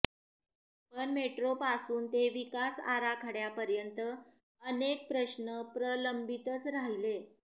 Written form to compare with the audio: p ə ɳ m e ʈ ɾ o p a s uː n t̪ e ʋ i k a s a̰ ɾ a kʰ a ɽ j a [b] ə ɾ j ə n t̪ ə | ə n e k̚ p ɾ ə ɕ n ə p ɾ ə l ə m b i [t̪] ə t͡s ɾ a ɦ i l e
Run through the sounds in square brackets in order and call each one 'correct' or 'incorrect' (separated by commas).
incorrect, correct